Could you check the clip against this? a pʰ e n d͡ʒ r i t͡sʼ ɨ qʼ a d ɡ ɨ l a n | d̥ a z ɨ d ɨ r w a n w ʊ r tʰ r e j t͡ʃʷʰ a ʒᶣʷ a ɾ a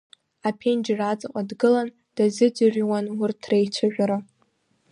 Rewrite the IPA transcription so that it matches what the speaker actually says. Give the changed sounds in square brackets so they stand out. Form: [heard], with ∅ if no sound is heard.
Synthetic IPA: a pʰ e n d͡ʒ r [a] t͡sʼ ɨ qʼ a d ɡ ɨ l a n | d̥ a z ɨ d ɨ r w a n w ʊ r tʰ r e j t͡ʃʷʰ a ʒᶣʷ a ɾ a